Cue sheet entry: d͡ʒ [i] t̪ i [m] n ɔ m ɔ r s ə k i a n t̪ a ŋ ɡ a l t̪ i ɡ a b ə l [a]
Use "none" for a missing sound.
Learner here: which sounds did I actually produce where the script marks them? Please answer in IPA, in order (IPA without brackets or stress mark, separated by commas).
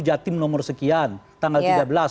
a, m, a